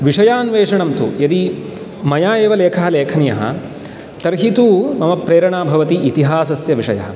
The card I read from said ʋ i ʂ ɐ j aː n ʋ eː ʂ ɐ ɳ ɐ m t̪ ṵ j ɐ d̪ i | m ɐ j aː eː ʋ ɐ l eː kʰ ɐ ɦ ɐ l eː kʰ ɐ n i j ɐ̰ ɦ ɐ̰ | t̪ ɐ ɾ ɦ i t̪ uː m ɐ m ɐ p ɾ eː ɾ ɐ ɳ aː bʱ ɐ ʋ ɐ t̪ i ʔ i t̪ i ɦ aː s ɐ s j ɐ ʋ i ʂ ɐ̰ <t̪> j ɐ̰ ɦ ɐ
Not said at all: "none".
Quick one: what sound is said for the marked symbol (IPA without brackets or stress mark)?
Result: none